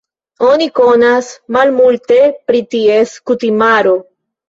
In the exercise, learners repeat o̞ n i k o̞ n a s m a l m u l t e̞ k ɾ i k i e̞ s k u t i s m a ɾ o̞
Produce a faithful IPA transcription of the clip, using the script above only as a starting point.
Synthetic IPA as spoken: o̞ n i k o̞ n a s m a l m u l t e̞ p ɾ i t i e̞ s k u t i m a ɾ o̞